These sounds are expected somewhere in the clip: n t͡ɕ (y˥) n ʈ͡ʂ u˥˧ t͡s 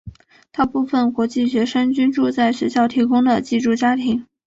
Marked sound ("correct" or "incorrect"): correct